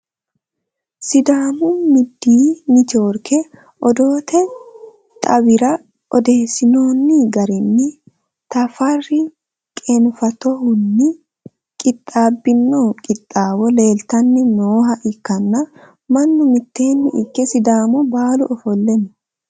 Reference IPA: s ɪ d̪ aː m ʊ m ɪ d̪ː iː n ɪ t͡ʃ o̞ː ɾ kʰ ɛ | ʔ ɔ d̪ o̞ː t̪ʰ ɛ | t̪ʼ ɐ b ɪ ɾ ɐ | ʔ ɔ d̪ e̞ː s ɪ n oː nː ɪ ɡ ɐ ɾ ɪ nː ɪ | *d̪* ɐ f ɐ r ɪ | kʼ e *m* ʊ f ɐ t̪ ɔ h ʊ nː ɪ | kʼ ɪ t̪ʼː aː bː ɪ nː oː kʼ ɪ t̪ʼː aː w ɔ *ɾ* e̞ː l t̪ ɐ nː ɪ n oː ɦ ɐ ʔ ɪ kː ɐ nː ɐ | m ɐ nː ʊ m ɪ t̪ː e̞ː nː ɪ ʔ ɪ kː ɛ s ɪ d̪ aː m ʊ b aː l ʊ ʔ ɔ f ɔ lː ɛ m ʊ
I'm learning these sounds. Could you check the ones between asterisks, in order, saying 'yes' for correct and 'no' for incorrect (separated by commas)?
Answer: no, no, no